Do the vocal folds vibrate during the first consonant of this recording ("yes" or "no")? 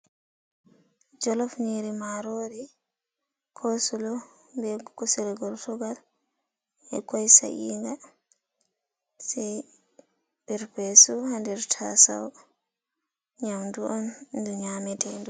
yes